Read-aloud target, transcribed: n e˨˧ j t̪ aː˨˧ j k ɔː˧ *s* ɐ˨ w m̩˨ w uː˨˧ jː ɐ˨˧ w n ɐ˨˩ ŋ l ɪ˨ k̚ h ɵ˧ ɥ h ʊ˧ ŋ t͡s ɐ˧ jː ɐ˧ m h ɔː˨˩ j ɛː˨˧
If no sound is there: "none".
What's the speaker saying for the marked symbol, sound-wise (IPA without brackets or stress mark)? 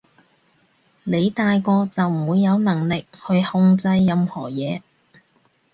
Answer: t͡s